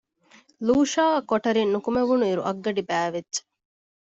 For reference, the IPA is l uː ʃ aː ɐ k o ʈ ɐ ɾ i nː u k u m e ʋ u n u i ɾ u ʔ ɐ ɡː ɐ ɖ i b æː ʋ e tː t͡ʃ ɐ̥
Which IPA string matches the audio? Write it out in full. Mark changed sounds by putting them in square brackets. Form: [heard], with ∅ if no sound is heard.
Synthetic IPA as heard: l uː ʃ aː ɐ k o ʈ ɐ ɾ i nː u k u m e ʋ u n u i ɾ u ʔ ɐ ɡː ɐ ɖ i b æː ʋ e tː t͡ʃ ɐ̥